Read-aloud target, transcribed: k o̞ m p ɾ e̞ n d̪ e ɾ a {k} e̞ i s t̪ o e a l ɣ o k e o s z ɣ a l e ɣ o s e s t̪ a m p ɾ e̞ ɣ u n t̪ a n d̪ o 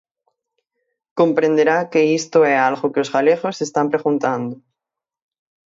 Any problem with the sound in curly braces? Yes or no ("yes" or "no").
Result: no